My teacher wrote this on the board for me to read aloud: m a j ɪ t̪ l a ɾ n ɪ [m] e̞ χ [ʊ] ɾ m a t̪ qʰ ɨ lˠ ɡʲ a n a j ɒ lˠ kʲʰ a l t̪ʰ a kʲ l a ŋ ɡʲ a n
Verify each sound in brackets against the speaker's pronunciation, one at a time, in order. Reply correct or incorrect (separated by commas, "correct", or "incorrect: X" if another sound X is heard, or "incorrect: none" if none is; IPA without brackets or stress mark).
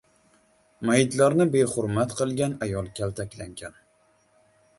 incorrect: b, correct